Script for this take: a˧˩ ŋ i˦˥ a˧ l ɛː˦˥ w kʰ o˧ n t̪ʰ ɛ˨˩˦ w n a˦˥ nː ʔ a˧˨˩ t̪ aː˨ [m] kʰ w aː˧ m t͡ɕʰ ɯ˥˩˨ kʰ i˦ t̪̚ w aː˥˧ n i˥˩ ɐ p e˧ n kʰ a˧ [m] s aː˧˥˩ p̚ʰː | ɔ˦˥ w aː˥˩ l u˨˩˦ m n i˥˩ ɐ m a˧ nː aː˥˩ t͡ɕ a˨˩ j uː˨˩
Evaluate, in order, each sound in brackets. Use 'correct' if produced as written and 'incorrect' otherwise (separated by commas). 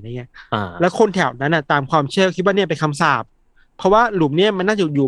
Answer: correct, correct